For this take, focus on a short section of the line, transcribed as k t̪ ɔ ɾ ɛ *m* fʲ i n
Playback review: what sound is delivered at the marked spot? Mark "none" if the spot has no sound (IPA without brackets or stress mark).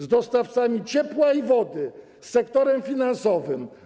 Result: m